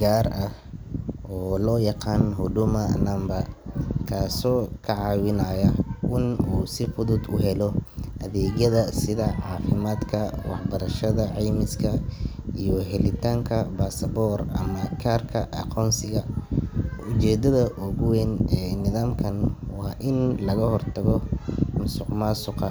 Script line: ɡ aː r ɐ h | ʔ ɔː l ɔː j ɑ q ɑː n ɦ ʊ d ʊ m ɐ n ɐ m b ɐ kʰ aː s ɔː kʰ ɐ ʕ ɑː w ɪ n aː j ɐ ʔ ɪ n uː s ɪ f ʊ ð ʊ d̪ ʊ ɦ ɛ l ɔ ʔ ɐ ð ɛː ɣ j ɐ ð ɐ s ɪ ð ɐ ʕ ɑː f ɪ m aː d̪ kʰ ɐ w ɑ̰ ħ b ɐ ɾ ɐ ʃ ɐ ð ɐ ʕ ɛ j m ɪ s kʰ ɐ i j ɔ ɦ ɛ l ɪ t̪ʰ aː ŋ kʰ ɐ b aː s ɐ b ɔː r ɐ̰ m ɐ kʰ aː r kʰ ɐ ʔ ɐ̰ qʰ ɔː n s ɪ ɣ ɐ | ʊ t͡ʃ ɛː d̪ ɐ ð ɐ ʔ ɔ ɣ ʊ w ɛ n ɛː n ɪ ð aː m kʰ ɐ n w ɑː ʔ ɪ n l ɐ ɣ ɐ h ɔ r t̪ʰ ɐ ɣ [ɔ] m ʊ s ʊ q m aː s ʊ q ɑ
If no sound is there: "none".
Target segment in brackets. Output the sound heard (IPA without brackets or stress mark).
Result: ɔ